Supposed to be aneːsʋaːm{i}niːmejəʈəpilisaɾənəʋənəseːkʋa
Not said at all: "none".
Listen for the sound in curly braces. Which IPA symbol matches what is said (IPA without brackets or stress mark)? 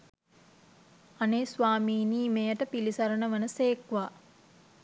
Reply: iː